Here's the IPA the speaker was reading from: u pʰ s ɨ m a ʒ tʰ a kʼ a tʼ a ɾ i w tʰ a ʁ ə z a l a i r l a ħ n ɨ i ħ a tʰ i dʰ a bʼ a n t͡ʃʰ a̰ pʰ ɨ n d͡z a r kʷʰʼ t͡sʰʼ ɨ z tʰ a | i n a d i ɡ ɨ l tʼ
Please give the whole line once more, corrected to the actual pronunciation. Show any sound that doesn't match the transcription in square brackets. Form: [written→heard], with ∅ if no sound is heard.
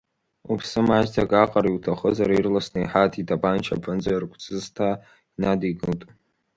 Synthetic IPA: u pʰ s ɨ m a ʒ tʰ a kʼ a [tʼ→qʼ] a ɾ i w tʰ a [ʁ→χ] ə z a [l→ɾ] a i r l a [ħ→s] n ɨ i ħ a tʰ i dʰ a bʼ a n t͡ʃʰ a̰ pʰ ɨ n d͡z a r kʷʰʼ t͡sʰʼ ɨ z tʰ a | i n a d i ɡ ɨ l tʼ